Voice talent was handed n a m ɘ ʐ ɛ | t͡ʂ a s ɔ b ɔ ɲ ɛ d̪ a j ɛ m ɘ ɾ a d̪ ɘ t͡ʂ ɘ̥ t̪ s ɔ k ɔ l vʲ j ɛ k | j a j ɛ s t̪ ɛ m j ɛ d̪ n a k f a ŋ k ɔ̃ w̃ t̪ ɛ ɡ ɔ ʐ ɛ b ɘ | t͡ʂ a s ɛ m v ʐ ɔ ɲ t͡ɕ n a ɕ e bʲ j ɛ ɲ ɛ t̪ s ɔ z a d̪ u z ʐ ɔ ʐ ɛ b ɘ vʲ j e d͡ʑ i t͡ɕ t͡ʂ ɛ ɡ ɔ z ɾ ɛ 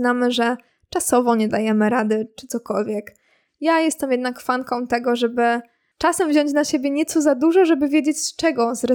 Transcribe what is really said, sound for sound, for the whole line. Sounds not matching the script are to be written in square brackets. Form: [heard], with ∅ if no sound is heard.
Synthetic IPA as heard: n a m ɘ ʐ ɛ | t͡ʂ a s ɔ [v] ɔ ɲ ɛ d̪ a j ɛ m ɘ ɾ a d̪ ɘ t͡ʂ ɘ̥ t̪ s ɔ k ɔ l vʲ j ɛ k | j a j ɛ s t̪ ɛ m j ɛ d̪ n a k f a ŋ k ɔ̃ w̃ t̪ ɛ ɡ ɔ ʐ ɛ b ɘ | t͡ʂ a s ɛ m v [ʑ] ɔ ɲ t͡ɕ n a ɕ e bʲ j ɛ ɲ ɛ t̪ s ɔ z a d̪ u [∅] ʐ ɔ ʐ ɛ b ɘ vʲ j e d͡ʑ [e] t͡ɕ t͡ʂ ɛ ɡ ɔ z ɾ ɛ